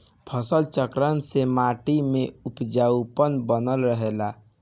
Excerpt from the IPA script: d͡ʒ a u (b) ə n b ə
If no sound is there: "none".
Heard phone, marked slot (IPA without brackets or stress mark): p